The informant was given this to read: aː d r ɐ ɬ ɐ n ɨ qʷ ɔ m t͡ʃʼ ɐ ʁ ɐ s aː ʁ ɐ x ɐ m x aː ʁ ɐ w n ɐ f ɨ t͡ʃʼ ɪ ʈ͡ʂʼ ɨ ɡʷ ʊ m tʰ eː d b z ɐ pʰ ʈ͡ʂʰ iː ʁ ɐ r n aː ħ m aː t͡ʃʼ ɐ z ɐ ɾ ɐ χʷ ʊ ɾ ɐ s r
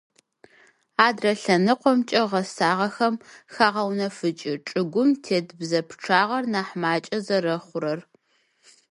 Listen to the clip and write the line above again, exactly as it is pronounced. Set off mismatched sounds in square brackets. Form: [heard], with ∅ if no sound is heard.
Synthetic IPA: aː d r ɐ ɬ ɐ n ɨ qʷ ɔ m t͡ʃʼ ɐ ʁ ɐ s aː ʁ ɐ x ɐ m x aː ʁ ɐ w n ɐ f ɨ t͡ʃʼ ɪ ʈ͡ʂʼ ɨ ɡʷ ʊ m tʰ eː d b z ɐ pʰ ʈ͡ʂʰ [aː] ʁ ɐ r n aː ħ m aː t͡ʃʼ ɐ z ɐ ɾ ɐ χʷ ʊ ɾ ɐ [∅] r